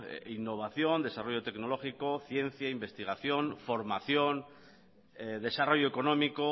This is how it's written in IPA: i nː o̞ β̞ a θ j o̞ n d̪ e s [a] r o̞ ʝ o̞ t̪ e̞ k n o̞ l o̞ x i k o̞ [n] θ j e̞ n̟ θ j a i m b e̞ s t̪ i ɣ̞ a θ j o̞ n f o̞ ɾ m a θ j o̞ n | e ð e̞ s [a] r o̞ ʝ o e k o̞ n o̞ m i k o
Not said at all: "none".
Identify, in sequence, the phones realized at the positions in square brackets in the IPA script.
a, none, a

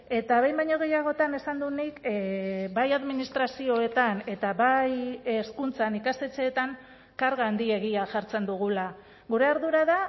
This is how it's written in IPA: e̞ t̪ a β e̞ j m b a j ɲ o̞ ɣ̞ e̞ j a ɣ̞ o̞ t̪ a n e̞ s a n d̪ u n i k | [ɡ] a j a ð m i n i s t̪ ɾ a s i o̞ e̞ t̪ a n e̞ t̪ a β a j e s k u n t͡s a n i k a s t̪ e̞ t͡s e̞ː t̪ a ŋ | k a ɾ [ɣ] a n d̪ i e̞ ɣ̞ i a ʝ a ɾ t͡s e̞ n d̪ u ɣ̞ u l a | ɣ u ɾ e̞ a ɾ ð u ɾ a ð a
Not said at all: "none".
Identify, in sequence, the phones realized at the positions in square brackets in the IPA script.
b, ɣ

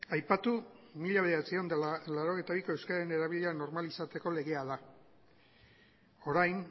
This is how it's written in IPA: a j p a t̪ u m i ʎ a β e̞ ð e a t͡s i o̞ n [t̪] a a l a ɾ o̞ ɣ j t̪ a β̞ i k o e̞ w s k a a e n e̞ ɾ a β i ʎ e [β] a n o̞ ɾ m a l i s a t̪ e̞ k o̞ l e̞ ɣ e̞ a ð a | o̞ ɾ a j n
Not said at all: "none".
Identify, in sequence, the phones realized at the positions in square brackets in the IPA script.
d̪, none

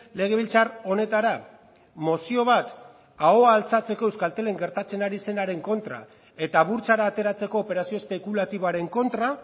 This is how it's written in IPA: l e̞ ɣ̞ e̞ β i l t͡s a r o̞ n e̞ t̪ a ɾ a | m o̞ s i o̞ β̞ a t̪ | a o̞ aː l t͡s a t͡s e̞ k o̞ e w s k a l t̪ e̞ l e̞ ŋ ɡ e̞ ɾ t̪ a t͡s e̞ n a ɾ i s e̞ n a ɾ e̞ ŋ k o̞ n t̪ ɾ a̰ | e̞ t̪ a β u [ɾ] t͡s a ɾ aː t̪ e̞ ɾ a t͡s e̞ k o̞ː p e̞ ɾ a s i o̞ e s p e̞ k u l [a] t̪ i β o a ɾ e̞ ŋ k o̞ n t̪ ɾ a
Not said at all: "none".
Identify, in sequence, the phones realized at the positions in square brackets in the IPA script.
ɾ, a

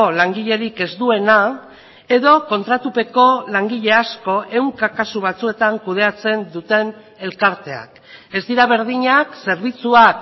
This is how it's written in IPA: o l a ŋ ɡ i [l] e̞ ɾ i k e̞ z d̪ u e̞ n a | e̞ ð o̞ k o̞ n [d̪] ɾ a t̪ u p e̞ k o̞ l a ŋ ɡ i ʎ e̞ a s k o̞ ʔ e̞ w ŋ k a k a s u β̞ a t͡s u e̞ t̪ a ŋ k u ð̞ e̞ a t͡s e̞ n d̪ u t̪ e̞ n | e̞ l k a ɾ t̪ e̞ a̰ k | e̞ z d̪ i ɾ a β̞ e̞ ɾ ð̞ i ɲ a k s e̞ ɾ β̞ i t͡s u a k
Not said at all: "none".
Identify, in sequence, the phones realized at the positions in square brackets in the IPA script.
ʎ, t̪

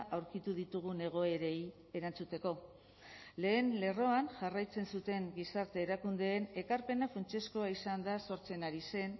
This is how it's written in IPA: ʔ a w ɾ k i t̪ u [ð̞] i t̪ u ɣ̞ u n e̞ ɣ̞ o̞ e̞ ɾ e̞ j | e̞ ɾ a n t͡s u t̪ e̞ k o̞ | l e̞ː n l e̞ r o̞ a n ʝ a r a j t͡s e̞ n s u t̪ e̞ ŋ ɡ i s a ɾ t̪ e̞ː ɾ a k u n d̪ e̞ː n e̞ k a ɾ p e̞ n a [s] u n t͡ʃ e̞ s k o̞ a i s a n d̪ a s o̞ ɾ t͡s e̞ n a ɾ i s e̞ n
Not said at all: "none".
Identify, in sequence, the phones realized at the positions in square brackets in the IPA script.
ð̞, f

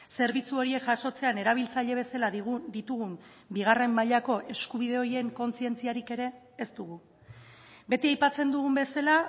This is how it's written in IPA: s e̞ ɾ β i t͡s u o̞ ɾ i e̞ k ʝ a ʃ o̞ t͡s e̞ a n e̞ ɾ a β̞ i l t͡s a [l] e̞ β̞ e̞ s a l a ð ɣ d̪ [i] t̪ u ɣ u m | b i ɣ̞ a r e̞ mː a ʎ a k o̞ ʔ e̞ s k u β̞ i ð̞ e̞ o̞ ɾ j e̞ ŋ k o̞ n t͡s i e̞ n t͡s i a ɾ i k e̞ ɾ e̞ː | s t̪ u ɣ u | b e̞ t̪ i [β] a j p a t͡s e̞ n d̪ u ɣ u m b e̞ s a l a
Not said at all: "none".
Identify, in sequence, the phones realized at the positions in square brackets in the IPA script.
ʎ, i, none

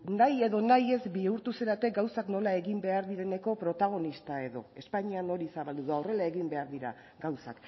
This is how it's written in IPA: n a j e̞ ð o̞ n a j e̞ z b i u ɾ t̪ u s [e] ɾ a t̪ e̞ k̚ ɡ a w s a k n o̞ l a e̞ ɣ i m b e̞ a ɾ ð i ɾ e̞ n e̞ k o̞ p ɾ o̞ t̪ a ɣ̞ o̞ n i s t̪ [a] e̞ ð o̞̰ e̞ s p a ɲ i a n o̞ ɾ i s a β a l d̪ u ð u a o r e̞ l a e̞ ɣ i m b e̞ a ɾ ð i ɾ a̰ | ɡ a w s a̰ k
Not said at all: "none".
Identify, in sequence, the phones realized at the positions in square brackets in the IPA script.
e, a

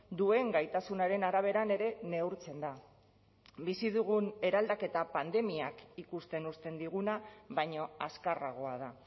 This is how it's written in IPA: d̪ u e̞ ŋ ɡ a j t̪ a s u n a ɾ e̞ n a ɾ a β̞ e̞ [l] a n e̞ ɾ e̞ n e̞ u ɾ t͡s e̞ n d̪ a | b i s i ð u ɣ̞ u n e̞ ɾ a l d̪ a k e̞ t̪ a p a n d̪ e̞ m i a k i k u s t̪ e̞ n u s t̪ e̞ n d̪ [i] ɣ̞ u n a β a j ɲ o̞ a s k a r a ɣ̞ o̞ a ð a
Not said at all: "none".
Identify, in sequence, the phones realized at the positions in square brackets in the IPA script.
ɾ, i

